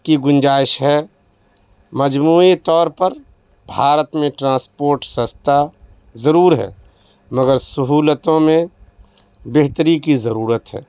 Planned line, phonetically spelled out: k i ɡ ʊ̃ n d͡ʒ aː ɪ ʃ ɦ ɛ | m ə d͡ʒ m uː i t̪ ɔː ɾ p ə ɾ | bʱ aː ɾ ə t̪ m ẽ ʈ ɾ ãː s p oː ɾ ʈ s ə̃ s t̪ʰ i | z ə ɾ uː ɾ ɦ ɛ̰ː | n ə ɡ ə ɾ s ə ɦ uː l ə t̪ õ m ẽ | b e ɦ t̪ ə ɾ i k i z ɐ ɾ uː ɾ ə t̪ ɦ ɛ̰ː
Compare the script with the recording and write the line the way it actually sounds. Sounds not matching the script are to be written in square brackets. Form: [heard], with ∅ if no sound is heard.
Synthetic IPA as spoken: k i ɡ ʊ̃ n d͡ʒ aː ɪ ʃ ɦ ɛ | m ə d͡ʒ m uː i t̪ ɔː ɾ p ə ɾ | bʱ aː ɾ ə t̪ m ẽ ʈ ɾ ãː s p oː ɾ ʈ s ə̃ s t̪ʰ [a] | z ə ɾ uː ɾ ɦ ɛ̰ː | [m] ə ɡ ə ɾ s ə ɦ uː l ə t̪ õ m ẽ | b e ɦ t̪ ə ɾ i k i z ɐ ɾ uː ɾ ə t̪ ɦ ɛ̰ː